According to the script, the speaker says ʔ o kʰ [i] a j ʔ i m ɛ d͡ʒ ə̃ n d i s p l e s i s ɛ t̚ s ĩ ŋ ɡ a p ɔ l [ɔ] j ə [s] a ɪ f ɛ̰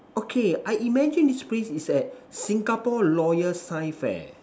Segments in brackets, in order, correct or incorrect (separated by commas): incorrect, correct, correct